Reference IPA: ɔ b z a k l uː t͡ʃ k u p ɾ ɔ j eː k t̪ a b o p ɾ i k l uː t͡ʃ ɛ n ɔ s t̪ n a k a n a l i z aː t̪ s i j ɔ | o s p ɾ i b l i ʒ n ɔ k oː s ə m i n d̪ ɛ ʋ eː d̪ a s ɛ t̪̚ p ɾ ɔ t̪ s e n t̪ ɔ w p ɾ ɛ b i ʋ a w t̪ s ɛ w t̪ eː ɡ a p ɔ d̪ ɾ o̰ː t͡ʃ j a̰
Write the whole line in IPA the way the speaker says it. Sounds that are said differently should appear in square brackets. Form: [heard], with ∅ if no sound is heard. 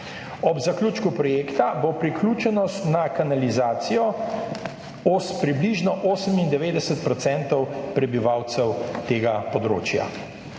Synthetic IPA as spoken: ɔ b z a k l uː t͡ʃ k u p ɾ ɔ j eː k t̪ a b o p ɾ i k l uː t͡ʃ ɛ n ɔ s t̪ n a k a n a l i z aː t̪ s i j ɔ | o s p ɾ i b l i ʒ n ɔ [ʔ] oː s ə m i n d̪ ɛ ʋ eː d̪ [ɛ] s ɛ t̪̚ p ɾ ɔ t̪ s [ɛ] n t̪ ɔ w p ɾ ɛ b i ʋ a w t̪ s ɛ w t̪ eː ɡ a p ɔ d̪ ɾ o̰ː t͡ʃ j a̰